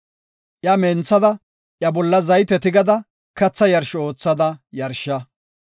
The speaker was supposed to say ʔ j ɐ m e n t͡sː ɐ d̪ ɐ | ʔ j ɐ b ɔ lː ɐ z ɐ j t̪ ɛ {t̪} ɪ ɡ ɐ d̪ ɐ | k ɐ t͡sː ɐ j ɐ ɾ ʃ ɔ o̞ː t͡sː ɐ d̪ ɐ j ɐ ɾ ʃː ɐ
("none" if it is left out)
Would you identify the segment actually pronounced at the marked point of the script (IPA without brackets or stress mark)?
t̪